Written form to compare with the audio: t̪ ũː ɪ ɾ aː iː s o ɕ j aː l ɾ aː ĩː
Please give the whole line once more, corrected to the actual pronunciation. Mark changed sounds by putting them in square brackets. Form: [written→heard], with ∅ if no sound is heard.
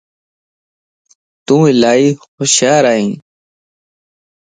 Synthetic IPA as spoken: t̪ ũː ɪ [ɾ→l] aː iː [s→x] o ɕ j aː [l→∅] ɾ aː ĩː